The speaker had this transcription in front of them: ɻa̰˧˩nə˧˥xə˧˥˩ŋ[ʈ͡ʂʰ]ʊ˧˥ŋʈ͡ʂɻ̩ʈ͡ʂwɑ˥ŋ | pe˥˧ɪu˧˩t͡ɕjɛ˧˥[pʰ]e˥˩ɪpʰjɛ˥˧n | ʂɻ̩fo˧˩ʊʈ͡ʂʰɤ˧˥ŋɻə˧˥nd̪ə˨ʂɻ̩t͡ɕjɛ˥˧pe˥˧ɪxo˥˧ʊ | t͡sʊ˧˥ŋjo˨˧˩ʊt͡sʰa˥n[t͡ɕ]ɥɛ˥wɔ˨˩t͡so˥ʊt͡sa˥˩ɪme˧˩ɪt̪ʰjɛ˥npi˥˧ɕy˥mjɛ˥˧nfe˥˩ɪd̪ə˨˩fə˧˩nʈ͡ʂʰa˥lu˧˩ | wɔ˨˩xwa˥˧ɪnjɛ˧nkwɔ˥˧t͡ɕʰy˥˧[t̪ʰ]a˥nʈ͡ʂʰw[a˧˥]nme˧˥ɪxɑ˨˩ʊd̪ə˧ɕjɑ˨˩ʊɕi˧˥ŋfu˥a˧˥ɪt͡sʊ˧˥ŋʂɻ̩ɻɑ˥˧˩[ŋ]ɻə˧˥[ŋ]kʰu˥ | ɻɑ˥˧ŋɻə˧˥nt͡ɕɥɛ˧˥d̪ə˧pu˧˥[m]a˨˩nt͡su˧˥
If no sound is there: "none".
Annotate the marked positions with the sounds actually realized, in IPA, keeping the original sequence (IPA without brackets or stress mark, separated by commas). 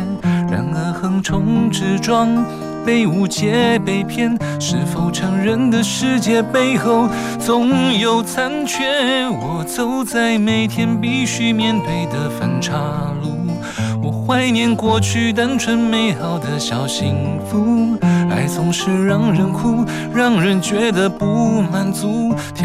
ʈ͡ʂʰ, p, t͡ɕʰ, t̪, ə˧˥, ŋ, n, m